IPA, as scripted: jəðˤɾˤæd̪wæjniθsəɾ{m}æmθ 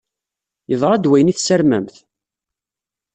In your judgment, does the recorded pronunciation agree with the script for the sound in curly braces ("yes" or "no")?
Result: yes